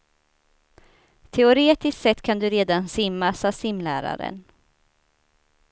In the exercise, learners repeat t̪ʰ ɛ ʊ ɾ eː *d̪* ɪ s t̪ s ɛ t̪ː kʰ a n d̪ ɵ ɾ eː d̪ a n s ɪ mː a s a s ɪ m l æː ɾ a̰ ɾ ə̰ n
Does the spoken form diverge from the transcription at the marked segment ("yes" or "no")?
yes